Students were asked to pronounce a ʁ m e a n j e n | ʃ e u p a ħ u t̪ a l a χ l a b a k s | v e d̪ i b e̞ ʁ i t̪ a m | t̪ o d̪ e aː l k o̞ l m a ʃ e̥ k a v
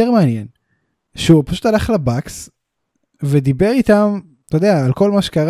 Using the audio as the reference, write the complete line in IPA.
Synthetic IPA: e ʁ m e a n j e n | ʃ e u p a ʃ u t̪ a l a χ l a b a k s | v e d̪ i b e̞ ʁ i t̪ a m | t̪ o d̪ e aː l k o̞ l m a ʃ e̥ k a ʁ